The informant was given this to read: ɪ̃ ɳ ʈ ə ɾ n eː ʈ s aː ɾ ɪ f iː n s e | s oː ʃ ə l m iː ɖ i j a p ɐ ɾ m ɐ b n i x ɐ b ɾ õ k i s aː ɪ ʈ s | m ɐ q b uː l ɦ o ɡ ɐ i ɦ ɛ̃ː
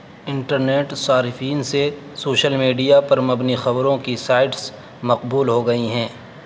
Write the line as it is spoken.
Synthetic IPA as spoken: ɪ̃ ɳ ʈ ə ɾ n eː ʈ s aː ɾ ɪ f iː n s e | s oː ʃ ə l m iː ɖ i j a p ɐ ɾ m ɐ b n i x ɐ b ɾ õ k i s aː ɪ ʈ s | m ɐ q b uː l ɦ o ɡ ɐ i ɦ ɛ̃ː